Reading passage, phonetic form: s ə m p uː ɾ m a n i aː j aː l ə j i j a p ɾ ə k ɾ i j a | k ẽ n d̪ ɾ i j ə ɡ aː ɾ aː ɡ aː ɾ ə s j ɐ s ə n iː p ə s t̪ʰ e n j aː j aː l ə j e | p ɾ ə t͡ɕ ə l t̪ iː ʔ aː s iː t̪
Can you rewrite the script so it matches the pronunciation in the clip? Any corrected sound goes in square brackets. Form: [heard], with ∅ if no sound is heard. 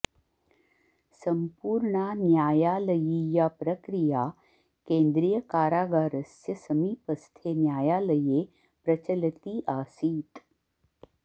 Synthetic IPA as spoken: s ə m p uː ɾ [ɳ] a n [j] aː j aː l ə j i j a p ɾ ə k ɾ i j a | k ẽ n d̪ ɾ i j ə [k] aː ɾ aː ɡ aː ɾ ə s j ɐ s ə [m] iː p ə s t̪ʰ e n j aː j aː l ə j e | p ɾ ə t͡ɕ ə l t̪ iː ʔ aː s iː t̪

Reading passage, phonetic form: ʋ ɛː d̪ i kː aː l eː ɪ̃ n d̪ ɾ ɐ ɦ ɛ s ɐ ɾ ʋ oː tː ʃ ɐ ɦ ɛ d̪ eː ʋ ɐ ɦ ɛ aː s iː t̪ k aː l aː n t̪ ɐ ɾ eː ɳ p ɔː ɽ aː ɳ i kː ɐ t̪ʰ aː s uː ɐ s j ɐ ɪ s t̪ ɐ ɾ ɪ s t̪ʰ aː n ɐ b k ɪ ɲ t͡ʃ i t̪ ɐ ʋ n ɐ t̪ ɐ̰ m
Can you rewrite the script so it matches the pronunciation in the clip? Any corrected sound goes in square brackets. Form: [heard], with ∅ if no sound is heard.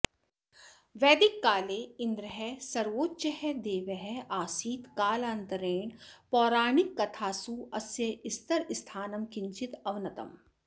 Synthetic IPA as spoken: ʋ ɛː d̪ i kː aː l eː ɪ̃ n d̪ ɾ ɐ ɦ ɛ s ɐ ɾ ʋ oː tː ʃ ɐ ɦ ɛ d̪ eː ʋ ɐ ɦ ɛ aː s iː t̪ k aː l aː n t̪ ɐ ɾ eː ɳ p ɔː [ɾ] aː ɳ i kː ɐ t̪ʰ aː s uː ɐ s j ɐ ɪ s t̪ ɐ ɾ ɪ s t̪ʰ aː n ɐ [m] k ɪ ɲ t͡ʃ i t̪ ɐ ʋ n ɐ t̪ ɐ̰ m

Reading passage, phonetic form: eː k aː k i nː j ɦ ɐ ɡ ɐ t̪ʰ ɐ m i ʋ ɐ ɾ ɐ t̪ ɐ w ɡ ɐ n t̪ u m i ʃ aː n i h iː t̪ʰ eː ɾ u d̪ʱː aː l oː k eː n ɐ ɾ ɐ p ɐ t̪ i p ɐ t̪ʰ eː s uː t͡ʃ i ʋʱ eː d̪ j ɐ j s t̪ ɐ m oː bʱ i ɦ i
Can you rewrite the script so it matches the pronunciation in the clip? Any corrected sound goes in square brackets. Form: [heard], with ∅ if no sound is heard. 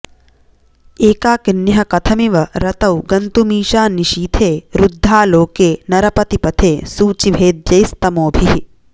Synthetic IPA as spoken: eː k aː k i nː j ɦ ɐ [k] ɐ t̪ʰ ɐ m i ʋ ɐ ɾ ɐ t̪ ɐ w ɡ ɐ n t̪ u m [iː] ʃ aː n i [ʃ] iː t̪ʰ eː ɾ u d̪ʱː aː l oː k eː n ɐ ɾ ɐ p ɐ t̪ i p ɐ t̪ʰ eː s uː t͡ʃ i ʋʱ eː d̪ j ɐ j s t̪ ɐ m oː bʱ i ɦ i

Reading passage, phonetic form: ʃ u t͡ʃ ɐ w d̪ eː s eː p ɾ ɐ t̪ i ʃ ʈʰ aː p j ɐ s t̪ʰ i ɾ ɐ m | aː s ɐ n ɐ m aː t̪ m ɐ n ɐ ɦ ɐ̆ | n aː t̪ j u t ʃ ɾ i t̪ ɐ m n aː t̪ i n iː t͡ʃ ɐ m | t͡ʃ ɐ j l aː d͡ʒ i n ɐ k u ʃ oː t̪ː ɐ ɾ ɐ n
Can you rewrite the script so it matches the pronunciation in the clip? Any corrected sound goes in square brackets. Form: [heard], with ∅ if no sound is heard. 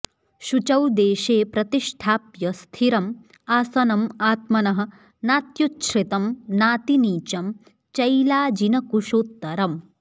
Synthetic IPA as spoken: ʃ u t͡ʃ ɐ w d̪ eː [ʃ] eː p ɾ ɐ t̪ i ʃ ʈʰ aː p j ɐ s t̪ʰ i ɾ ɐ m | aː s ɐ n ɐ m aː t̪ m ɐ n ɐ ɦ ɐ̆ | n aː t̪ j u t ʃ ɾ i t̪ ɐ m n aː t̪ i n iː t͡ʃ ɐ m | t͡ʃ ɐ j l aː d͡ʒ i n ɐ k u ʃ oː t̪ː ɐ ɾ ɐ [m]

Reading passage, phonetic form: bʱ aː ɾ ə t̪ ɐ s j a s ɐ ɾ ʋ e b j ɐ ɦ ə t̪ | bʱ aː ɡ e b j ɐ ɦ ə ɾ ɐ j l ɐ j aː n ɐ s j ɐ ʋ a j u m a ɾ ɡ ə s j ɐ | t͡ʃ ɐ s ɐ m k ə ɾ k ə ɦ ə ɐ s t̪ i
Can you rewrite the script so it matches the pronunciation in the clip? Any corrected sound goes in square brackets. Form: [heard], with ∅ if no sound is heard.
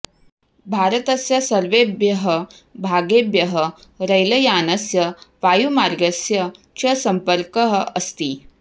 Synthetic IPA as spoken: bʱ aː ɾ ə t̪ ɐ s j [ɐ] s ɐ ɾ ʋ e b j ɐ ɦ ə [∅] | bʱ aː ɡ e b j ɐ ɦ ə ɾ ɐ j l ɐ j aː n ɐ s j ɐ ʋ a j u m a ɾ ɡ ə s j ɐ | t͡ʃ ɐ s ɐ m [p] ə ɾ k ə ɦ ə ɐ s t̪ i

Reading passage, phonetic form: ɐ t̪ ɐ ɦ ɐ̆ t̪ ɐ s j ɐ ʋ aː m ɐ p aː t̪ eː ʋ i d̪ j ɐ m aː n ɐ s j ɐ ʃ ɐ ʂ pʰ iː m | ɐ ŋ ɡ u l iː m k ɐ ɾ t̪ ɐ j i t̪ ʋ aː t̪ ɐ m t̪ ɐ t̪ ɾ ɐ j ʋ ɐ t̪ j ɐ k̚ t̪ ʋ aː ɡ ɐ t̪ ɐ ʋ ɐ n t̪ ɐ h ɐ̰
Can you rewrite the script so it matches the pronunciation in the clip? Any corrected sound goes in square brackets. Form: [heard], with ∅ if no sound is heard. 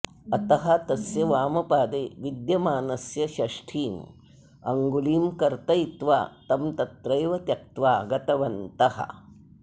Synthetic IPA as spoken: ɐ t̪ ɐ ɦ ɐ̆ t̪ ɐ s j ɐ ʋ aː m ɐ p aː [d̪] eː ʋ i d̪ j ɐ m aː n ɐ s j ɐ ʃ ɐ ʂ [ʈʰ] iː m | ɐ ŋ ɡ u l iː m k ɐ ɾ t̪ ɐ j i t̪ ʋ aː t̪ ɐ m t̪ ɐ t̪ ɾ ɐ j ʋ ɐ t̪ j ɐ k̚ t̪ ʋ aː ɡ ɐ t̪ ɐ ʋ ɐ n t̪ ɐ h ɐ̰

